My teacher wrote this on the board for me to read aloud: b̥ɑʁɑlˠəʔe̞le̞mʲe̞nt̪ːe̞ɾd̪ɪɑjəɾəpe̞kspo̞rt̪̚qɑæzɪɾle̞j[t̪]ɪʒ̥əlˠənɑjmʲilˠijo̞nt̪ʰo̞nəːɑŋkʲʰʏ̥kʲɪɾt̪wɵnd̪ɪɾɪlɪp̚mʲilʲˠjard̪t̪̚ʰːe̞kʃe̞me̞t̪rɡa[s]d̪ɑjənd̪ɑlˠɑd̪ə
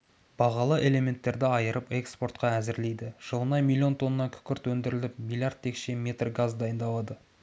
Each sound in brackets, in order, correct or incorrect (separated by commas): incorrect, incorrect